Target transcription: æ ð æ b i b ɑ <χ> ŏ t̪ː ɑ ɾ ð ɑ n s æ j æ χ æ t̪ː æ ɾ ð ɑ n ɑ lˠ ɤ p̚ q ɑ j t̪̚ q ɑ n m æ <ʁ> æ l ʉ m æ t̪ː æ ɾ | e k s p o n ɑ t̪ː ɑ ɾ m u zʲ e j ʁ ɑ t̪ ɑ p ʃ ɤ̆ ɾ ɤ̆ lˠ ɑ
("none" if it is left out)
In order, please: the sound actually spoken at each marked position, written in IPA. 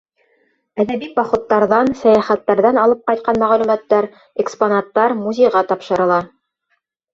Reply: χ, ʁ

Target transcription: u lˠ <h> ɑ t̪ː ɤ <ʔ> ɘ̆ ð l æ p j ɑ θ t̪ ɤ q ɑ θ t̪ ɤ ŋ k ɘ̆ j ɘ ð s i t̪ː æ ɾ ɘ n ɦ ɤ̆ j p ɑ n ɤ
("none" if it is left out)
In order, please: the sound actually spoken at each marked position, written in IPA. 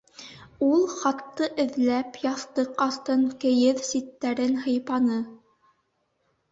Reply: χ, ʔ

